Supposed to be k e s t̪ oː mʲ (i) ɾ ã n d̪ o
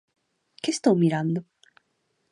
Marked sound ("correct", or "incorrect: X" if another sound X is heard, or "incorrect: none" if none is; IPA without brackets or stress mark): correct